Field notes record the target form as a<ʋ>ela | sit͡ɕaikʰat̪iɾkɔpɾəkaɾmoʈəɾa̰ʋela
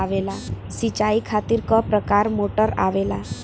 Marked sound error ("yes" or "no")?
no